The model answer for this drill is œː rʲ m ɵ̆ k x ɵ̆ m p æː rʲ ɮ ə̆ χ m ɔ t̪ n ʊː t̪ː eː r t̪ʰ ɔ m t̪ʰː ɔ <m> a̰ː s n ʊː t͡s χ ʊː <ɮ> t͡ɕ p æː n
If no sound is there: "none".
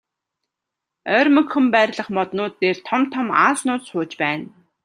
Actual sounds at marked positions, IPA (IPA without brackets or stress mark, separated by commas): m, none